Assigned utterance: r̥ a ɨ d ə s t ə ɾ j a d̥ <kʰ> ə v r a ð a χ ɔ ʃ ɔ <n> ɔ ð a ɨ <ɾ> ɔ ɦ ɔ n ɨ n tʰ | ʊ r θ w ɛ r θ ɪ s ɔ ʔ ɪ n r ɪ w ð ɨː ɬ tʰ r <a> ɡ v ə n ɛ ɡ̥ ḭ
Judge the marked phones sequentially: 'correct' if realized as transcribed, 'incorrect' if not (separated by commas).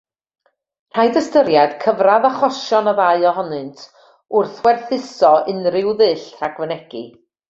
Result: correct, correct, incorrect, correct